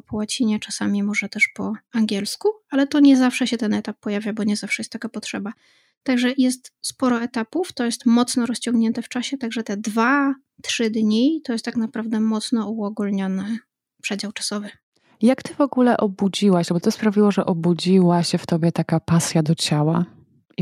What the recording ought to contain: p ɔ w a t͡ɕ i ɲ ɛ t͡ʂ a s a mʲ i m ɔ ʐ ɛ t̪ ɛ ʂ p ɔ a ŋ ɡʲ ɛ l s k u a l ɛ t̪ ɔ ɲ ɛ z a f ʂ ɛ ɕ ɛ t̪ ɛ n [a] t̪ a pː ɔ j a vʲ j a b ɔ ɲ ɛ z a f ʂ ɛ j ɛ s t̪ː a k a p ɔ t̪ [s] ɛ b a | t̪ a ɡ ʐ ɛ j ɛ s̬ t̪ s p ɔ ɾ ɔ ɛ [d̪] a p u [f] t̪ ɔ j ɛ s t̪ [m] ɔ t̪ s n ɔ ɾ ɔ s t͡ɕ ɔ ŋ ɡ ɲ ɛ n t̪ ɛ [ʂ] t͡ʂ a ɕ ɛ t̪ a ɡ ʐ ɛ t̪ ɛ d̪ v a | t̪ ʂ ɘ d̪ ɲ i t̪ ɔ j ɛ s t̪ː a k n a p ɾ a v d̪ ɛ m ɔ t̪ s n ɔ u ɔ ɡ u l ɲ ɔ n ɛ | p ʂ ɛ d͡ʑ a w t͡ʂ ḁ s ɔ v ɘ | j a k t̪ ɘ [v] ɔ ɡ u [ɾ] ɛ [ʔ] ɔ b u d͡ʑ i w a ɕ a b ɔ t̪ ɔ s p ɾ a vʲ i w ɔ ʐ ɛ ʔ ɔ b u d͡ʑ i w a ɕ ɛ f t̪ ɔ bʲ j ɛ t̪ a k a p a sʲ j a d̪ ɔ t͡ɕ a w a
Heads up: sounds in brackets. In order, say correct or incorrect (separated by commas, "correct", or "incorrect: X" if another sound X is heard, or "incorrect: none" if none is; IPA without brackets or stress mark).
incorrect: ɛ, incorrect: ʂ, incorrect: t̪, correct, correct, incorrect: f, correct, incorrect: l, correct